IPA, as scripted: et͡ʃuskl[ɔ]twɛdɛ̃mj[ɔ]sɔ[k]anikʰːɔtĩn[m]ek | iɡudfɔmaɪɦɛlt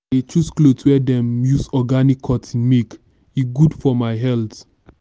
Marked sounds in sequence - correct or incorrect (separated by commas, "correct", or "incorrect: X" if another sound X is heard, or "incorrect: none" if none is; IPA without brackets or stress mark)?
incorrect: o, incorrect: u, incorrect: ɡ, correct